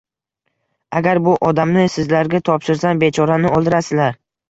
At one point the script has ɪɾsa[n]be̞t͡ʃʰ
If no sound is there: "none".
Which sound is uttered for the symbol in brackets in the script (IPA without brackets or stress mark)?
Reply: n